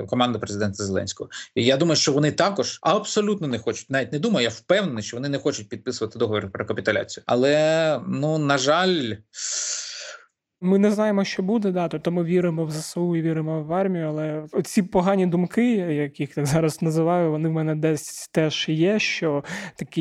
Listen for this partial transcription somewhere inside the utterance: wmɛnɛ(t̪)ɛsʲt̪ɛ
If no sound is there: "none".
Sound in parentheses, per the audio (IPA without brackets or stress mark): d̪